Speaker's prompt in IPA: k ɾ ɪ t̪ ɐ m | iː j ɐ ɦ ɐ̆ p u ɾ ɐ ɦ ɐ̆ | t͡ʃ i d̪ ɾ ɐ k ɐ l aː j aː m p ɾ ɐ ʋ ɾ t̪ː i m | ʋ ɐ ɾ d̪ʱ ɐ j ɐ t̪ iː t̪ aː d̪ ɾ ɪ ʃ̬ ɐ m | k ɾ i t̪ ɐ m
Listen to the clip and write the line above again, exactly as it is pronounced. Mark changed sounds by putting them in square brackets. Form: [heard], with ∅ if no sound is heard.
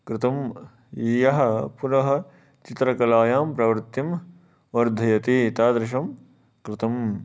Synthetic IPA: k ɾ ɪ t̪ ɐ m | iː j ɐ ɦ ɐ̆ p u ɾ ɐ ɦ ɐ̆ | t͡ʃ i [t̪] ɾ ɐ k ɐ l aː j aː m p ɾ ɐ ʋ ɾ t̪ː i m | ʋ ɐ ɾ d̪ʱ ɐ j ɐ t̪ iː t̪ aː d̪ ɾ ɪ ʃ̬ ɐ m | k ɾ [ɪ] t̪ ɐ m